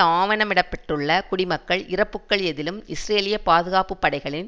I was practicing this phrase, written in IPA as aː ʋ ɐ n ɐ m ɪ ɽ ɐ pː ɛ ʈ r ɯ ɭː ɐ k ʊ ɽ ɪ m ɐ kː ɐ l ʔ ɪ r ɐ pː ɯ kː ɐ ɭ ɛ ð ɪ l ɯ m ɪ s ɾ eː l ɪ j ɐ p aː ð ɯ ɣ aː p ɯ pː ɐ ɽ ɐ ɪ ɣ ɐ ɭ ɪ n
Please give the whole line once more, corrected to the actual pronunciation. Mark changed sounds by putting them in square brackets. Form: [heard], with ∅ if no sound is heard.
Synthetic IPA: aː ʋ ɐ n ɐ m ɪ ɽ ɐ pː ɛ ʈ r ɯ ɭː ɐ k ʊ ɽ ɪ m ɐ kː ɐ [ɭ] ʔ ɪ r ɐ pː ɯ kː ɐ ɭ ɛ ð ɪ l ɯ m ɪ s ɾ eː l ɪ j ɐ p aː ð ɯ ɣ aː p ɯ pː ɐ ɽ ɐ ɪ ɣ ɐ ɭ ɪ n